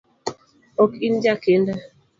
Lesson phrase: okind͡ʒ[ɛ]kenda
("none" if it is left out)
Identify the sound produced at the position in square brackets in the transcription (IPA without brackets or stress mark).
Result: a